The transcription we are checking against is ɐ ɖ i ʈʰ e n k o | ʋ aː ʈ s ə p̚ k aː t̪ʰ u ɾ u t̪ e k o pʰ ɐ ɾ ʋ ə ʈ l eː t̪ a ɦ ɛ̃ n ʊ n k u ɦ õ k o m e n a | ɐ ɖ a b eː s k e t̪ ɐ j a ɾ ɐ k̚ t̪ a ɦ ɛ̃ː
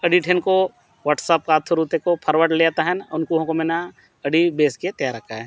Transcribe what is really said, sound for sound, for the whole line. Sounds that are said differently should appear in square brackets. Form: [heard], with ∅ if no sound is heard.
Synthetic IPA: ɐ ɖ i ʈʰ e n k o | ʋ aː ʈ s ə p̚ k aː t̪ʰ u ɾ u t̪ e k o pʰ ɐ ɾ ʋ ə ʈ l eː t̪ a ɦ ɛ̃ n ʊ n k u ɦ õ k o m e n a | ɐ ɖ [i] b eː s k e t̪ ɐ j a ɾ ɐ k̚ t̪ a ɦ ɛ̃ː